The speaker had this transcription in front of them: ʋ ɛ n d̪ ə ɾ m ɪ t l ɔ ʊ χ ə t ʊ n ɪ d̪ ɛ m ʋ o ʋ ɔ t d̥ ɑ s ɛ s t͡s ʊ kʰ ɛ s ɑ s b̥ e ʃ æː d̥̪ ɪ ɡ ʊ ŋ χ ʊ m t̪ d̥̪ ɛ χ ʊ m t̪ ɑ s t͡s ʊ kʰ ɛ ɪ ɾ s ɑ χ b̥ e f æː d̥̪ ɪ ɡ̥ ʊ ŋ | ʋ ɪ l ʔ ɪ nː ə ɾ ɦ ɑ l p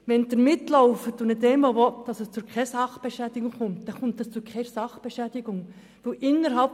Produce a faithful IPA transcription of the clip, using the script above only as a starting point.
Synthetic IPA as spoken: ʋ ɛ n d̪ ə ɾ m ɪ t l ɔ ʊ f ə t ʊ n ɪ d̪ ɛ m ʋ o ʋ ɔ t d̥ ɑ s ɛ s t͡s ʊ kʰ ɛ s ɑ χ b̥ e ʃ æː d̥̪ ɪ ɡ ʊ ŋ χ ʊ m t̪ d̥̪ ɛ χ ʊ m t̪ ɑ s t͡s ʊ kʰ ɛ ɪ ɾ s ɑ χ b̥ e ʃ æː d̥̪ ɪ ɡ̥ ʊ ŋ | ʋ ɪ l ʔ ɪ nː ə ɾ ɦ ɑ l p